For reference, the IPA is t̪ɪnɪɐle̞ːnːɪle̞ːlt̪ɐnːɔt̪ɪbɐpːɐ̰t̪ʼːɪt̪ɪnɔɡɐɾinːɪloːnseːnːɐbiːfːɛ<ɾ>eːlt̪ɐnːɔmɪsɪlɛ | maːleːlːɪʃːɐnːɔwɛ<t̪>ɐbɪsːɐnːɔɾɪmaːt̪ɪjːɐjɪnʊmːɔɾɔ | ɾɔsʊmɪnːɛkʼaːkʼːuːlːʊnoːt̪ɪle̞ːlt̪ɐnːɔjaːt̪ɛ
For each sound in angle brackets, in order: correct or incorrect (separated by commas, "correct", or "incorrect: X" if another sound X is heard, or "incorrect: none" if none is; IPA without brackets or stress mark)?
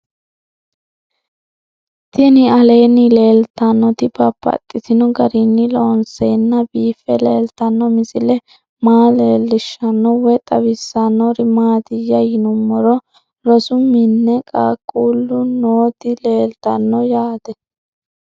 incorrect: l, incorrect: t̪ʼ